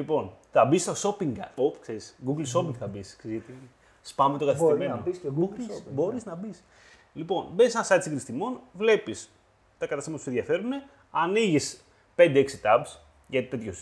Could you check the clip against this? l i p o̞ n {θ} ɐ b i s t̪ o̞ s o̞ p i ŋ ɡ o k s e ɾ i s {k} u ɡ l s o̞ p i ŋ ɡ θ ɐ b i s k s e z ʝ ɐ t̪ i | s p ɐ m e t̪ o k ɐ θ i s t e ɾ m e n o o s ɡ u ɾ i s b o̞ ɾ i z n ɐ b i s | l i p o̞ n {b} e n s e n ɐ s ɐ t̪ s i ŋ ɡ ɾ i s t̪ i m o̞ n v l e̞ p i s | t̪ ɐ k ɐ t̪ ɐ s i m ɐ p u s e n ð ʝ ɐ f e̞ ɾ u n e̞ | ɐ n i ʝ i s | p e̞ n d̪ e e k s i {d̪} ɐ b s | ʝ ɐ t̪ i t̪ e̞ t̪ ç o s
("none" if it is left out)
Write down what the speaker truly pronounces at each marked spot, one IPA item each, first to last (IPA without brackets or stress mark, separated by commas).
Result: θ, ɡ, b, t̪